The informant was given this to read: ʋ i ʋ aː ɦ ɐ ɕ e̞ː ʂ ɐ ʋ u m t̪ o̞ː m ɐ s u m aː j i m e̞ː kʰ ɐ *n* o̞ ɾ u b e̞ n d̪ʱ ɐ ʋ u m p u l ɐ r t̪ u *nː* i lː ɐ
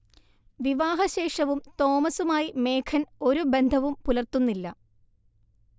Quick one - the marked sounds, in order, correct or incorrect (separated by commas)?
correct, correct